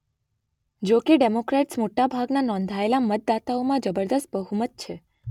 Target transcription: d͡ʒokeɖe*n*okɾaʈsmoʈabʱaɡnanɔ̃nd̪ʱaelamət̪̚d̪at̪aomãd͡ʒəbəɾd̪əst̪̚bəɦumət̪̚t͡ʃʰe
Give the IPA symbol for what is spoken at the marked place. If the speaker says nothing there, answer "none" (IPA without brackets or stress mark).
m